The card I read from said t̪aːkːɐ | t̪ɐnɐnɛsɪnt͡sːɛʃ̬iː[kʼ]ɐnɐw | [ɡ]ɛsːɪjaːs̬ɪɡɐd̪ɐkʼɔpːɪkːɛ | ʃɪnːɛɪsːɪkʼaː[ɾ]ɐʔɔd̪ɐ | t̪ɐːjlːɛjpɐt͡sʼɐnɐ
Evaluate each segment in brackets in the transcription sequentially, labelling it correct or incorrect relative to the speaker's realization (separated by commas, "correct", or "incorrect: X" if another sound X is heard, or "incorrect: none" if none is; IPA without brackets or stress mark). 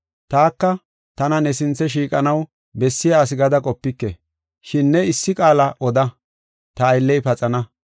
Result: correct, incorrect: b, incorrect: l